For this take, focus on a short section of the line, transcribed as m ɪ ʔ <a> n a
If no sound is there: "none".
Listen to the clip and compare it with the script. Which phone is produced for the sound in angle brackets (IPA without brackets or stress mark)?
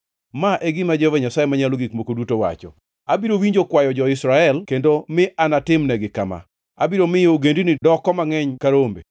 a